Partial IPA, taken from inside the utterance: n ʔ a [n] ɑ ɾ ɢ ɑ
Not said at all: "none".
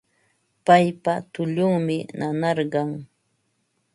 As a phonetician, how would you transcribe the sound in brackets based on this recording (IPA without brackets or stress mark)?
n